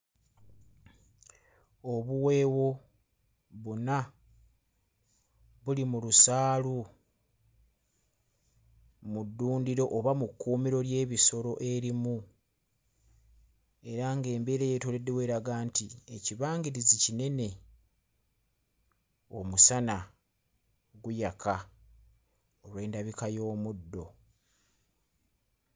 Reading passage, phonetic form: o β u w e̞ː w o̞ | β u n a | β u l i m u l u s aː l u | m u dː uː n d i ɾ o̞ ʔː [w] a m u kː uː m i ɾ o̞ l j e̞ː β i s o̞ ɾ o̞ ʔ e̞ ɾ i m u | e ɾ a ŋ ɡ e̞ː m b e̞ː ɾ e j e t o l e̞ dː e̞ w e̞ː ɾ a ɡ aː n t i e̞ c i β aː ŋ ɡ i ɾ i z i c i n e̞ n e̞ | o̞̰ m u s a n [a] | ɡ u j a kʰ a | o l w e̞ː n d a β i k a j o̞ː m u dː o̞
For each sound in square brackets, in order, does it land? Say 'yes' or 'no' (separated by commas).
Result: no, yes